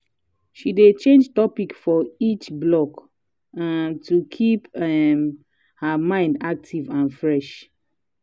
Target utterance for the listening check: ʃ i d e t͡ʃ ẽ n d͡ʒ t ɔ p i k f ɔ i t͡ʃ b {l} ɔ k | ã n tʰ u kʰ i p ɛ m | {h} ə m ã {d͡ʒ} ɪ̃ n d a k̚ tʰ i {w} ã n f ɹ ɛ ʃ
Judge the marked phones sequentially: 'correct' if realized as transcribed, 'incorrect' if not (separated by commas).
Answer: correct, correct, incorrect, incorrect